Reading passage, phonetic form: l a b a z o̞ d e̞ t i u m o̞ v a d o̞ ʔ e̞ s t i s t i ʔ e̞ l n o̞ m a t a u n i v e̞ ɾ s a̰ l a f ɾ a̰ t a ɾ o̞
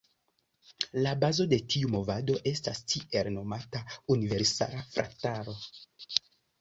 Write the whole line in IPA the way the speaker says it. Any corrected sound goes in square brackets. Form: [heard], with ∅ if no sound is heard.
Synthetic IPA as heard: l a b a z o̞ d e̞ t i u m o̞ v a d o̞ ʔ e̞ s t [a] s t i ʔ e̞ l n o̞ m a t a u n i v e̞ ɾ s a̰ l a f ɾ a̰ t a ɾ o̞